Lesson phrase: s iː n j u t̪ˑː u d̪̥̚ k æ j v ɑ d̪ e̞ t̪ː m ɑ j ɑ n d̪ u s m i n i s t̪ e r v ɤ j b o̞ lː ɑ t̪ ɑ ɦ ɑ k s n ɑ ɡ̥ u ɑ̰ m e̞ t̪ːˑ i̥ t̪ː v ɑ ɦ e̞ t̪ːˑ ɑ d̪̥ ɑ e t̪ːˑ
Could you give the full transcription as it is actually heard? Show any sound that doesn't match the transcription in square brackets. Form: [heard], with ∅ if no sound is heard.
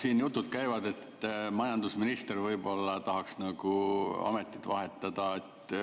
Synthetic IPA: s iː n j u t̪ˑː u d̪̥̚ k æ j v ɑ d̪ e̞ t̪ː m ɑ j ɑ n d̪ u s m i n i s t̪ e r v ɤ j b o̞ lː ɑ t̪ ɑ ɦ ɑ k s n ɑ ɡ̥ u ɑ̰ m e̞ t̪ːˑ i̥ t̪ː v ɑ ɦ e̞ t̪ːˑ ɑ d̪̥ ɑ e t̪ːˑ

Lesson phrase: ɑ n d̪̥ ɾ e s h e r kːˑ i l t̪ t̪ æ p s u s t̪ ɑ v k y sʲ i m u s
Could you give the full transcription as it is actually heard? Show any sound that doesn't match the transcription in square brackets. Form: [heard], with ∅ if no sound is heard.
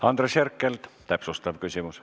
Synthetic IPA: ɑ n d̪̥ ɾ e s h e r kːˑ [e] l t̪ t̪ æ p s u s t̪ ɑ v k y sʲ i m u s

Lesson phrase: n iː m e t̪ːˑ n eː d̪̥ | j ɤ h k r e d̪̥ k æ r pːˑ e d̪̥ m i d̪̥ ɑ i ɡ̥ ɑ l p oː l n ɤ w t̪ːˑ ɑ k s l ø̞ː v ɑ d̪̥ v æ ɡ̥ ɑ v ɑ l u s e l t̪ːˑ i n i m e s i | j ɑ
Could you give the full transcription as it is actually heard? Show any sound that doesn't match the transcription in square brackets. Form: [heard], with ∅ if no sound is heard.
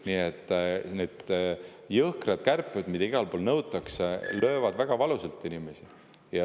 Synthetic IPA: n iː [∅] e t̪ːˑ n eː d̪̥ | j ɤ h k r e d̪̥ k æ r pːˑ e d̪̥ m i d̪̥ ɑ i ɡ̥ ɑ l p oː l n ɤ w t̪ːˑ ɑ k s l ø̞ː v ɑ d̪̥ v æ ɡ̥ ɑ v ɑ l u s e l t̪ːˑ i n i m e s i | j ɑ

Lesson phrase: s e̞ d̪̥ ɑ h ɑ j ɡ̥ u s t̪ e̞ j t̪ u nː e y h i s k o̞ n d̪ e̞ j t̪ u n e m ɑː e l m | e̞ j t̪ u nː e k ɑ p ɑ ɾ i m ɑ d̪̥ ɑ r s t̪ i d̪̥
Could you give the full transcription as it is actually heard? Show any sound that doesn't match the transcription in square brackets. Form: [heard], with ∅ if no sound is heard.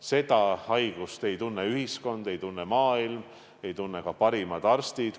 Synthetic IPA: s e̞ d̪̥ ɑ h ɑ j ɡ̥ u s t̪ e̞ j t̪ u nː e y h i s k o̞ n d̪ e̞ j t̪ u [nː] e m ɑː [i] l m | e̞ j t̪ u nː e k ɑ p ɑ ɾ i m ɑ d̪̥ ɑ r s t̪ i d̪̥

